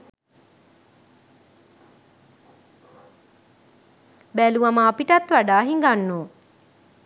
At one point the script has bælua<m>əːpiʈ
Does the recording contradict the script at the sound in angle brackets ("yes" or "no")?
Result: no